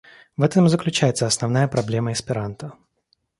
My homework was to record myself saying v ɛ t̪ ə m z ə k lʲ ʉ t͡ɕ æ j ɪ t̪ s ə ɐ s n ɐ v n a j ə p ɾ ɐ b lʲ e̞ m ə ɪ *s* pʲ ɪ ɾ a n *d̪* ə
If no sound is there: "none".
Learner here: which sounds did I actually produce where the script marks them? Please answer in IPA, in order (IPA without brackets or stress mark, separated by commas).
s, t̪